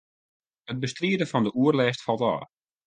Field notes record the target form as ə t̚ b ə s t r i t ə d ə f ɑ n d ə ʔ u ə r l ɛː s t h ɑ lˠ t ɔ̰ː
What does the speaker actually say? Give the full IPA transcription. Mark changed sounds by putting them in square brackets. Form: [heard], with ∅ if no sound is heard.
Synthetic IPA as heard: ə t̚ b ə s t r i [∅] ə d ə f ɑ n d ə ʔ u ə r l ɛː s t [f] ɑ lˠ t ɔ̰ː